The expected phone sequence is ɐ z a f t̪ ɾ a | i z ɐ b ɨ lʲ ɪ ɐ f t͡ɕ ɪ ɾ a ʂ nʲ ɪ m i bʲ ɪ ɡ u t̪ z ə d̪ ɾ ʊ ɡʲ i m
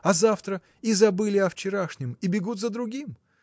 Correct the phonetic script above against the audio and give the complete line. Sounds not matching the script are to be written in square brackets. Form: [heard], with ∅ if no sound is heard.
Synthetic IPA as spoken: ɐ z a f t̪ ɾ [ə] | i z ɐ b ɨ lʲ ɪ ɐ f t͡ɕ ɪ ɾ a ʂ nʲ ɪ m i bʲ ɪ ɡ u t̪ z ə d̪ ɾ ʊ ɡʲ i m